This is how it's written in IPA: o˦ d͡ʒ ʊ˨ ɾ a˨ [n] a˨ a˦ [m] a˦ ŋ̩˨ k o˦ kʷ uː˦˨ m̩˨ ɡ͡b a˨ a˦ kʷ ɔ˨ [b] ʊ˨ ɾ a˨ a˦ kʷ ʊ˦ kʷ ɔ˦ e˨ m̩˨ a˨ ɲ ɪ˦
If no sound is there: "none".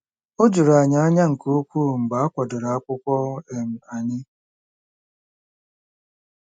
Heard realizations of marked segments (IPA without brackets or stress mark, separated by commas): ɲ, ɲ, d